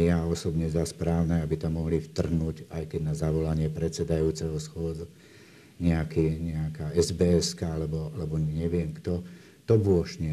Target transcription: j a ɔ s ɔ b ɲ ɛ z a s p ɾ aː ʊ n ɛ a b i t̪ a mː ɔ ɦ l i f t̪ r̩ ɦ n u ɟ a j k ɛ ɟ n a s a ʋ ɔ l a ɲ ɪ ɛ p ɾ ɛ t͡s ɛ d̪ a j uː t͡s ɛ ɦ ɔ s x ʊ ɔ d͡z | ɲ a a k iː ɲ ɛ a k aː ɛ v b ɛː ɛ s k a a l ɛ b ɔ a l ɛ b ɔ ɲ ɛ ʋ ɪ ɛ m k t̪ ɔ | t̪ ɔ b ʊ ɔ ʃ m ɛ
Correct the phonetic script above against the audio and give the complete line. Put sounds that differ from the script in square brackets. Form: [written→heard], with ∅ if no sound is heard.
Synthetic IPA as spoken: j a ɔ s ɔ b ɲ ɛ z a s p ɾ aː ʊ n ɛ a b i t̪ a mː ɔ ɦ l i f t̪ r̩ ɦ n u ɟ a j k ɛ ɟ n a [s→z] a ʋ ɔ l a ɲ ɪ ɛ p ɾ ɛ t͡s ɛ d̪ a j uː t͡s ɛ ɦ ɔ s x ʊ ɔ d͡z | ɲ [a→ɛ] a k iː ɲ ɛ a k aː ɛ [v→z] b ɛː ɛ s k a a l ɛ b ɔ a l ɛ b ɔ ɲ ɛ ʋ ɪ ɛ m k t̪ ɔ | t̪ ɔ b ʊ ɔ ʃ [m→ɲ] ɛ